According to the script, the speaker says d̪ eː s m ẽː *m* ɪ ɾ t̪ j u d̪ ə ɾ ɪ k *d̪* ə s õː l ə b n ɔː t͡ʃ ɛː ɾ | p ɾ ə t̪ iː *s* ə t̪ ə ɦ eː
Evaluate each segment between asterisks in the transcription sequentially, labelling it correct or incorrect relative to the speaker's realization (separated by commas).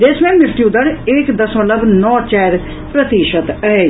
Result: correct, correct, incorrect